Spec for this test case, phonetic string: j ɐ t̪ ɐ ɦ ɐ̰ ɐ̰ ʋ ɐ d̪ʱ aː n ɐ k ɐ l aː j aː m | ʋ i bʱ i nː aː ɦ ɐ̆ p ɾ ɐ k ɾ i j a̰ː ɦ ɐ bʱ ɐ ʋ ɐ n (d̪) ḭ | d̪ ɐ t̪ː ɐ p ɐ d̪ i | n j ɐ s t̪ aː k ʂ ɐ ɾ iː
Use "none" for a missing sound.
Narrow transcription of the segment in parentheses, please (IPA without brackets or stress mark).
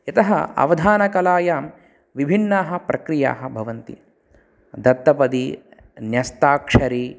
t̪